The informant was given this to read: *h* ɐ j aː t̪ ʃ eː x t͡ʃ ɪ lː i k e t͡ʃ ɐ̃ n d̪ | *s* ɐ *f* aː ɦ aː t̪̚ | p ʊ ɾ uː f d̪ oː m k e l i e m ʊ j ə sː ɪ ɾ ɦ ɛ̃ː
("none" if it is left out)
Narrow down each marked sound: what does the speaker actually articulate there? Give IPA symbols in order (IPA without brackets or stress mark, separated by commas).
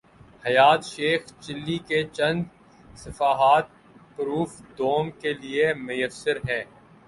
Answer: h, s, f